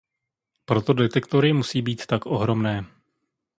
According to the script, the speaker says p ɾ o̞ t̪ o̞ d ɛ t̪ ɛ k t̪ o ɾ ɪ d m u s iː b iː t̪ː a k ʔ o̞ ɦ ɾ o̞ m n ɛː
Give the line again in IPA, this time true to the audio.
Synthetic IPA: p ɾ o̞ t̪ o̞ d ɛ t̪ ɛ k t̪ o ɾ ɪ m u s iː b iː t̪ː a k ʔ o̞ ɦ ɾ o̞ m n ɛː